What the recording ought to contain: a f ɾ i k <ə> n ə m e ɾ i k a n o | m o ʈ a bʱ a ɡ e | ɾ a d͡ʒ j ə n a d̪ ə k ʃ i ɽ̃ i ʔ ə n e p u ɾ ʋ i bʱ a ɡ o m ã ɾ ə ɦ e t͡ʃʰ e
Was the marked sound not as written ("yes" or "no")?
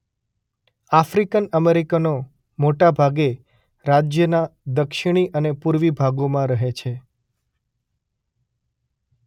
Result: no